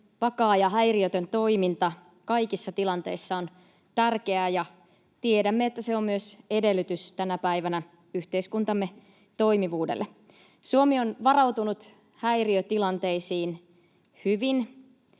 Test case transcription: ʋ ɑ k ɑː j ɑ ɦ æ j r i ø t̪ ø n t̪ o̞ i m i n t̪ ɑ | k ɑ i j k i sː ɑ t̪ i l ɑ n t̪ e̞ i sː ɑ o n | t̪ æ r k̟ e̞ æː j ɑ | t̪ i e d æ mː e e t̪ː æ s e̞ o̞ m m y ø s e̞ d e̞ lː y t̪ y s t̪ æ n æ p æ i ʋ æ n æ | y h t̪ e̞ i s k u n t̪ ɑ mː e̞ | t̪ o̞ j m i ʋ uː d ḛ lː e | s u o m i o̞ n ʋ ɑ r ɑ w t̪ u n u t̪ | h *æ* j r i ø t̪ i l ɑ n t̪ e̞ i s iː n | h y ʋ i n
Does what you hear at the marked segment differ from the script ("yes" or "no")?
no